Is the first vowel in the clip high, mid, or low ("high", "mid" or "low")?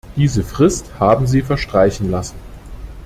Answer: high